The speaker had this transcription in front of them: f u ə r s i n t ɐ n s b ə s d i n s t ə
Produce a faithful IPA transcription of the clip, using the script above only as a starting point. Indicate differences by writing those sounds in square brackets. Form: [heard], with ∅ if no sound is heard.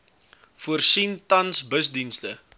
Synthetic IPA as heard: f u ə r s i n t ɐ n s b ə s d i n s t ə